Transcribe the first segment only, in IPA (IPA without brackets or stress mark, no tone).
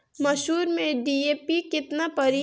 m